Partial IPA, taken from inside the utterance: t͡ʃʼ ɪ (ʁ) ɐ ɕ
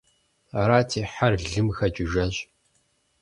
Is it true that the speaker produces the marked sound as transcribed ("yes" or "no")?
no